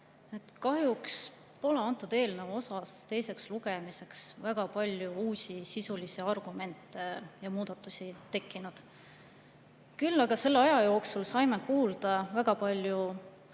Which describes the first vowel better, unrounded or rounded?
unrounded